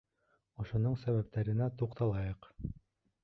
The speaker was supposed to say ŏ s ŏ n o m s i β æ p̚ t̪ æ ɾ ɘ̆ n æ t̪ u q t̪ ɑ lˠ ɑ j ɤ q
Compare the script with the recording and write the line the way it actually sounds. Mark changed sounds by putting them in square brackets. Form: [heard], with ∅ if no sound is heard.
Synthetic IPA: ŏ [ʃ] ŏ n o [ɴ] s [æ] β æ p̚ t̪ æ ɾ ɘ̆ n æ t̪ u q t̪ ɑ lˠ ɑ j ɤ q